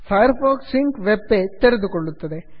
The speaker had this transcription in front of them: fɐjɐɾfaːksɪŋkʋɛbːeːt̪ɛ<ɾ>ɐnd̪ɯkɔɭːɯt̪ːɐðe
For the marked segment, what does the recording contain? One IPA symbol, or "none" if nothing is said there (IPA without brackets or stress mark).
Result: ɾ